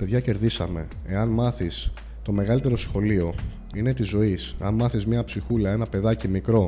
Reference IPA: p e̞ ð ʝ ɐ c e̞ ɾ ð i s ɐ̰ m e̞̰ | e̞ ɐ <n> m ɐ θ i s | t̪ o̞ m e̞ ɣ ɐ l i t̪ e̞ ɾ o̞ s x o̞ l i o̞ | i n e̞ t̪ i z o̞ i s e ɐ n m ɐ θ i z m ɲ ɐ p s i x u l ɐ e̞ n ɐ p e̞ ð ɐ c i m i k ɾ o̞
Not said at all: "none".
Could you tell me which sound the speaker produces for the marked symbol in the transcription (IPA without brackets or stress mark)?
n